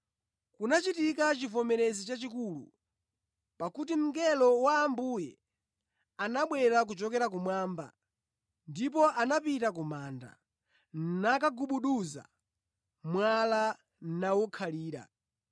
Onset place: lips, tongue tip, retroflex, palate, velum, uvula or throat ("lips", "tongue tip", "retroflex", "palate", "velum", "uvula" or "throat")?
velum